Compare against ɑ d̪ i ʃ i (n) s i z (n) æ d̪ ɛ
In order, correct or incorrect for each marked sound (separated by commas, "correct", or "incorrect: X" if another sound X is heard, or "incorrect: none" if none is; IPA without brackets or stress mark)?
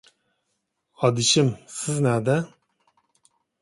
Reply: incorrect: m, correct